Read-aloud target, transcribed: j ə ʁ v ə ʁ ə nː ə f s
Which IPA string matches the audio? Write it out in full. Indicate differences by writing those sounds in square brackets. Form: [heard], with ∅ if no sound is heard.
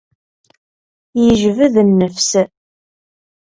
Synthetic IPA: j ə [ʒ] v ə [ð] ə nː ə f s